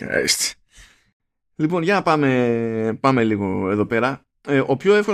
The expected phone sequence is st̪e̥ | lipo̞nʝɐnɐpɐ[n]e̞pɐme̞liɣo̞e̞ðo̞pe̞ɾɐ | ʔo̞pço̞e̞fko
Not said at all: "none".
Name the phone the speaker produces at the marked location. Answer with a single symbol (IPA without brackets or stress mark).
m